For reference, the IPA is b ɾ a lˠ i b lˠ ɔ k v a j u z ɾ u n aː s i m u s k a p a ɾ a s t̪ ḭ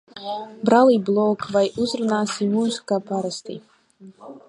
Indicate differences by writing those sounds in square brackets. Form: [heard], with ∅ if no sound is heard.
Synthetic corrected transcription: b ɾ a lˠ i b lˠ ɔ k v a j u z ɾ u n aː s i m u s k a p a ɾ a s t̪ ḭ